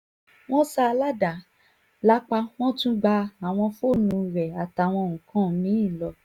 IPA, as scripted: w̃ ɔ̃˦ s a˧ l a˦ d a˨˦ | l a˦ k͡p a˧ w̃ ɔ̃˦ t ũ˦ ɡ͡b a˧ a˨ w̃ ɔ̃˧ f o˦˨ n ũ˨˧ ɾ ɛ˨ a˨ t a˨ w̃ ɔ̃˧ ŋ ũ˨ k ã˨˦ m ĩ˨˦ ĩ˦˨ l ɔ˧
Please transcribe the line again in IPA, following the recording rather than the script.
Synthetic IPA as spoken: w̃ ɔ̃˦ s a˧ l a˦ d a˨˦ | l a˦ k͡p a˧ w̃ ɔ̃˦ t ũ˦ ɡ͡b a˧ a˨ w̃ ɔ̃˧ f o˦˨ n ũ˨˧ ɾ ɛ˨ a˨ t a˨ w̃ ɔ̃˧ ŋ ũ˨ k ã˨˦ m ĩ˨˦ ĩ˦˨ l ɔ˧